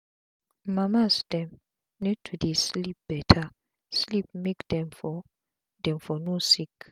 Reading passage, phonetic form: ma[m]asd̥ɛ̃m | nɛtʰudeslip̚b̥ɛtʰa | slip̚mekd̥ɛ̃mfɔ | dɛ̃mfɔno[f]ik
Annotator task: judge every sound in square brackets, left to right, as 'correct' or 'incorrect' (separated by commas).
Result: correct, incorrect